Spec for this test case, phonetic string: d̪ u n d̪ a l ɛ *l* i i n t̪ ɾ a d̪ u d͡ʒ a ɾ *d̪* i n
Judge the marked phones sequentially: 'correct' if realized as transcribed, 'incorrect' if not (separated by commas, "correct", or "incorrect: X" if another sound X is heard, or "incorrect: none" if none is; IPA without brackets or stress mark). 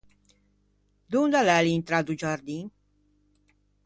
correct, correct